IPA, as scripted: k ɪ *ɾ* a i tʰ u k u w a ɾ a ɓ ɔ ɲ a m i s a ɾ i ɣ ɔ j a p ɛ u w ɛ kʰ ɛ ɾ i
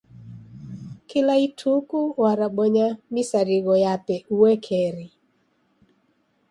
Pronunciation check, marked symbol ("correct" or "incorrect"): incorrect